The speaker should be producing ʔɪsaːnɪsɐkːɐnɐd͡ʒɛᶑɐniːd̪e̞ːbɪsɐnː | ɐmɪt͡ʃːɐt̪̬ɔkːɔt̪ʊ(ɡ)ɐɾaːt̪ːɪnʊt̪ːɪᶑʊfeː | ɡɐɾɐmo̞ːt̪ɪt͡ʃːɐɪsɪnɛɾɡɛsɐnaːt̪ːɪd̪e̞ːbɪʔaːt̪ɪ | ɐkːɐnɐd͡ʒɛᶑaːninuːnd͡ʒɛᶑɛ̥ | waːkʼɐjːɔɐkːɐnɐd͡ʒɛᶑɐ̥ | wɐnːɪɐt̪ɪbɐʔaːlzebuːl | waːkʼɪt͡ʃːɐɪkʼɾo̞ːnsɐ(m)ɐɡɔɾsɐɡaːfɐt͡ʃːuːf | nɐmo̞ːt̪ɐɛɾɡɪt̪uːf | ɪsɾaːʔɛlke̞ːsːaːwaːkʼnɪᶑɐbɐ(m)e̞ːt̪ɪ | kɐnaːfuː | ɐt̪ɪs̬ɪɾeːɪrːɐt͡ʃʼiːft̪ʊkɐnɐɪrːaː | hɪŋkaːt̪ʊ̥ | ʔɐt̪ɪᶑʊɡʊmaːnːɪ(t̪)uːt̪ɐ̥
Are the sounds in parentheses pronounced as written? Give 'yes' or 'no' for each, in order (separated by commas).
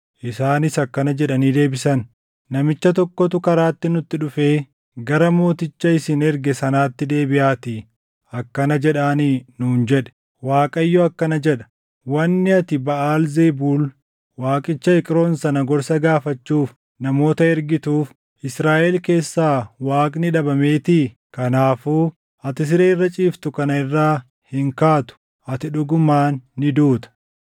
no, no, yes, no